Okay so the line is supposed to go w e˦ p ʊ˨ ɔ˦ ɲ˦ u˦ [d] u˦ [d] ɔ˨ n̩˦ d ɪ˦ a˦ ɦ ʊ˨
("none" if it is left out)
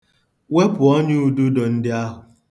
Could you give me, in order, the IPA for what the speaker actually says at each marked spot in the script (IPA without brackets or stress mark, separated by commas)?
d, d